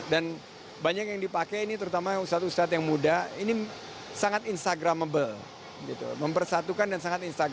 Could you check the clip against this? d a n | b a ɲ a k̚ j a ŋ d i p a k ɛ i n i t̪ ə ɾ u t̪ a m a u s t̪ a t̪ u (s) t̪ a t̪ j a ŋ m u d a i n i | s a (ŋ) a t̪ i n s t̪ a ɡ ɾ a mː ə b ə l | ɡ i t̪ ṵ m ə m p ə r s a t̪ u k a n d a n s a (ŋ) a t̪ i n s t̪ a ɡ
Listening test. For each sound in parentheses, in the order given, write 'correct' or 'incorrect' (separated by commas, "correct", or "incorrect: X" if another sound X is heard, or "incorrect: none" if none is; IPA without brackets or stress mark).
correct, correct, correct